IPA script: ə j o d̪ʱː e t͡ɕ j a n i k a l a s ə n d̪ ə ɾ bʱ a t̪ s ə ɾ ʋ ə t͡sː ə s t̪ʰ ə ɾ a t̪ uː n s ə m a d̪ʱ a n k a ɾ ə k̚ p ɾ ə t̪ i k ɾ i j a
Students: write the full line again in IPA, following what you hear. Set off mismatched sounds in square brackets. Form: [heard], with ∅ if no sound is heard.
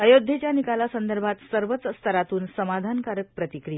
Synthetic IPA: ə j o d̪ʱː e t͡ɕ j a n i k a l a s ə n d̪ ə ɾ bʱ a t̪ s ə ɾ ʋ ə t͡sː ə s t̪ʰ ə ɾ a t̪ uː n s ə m a d̪ʱ a n k a ɾ ə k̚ p ɾ ə t̪ i k ɾ i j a